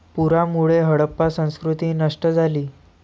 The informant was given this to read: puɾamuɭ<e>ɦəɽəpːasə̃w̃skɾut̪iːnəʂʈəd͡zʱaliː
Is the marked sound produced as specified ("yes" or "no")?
yes